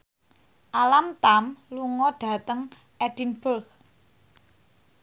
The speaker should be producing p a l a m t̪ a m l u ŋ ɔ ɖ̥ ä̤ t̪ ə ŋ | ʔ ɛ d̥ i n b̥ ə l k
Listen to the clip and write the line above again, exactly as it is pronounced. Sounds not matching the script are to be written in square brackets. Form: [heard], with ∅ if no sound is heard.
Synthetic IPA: [ʔ] a l a m t̪ a m l u ŋ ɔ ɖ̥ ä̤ t̪ ə ŋ | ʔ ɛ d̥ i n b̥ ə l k